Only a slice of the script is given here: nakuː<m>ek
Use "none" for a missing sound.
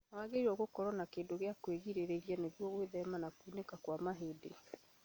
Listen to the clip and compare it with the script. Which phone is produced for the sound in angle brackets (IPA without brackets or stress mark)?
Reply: n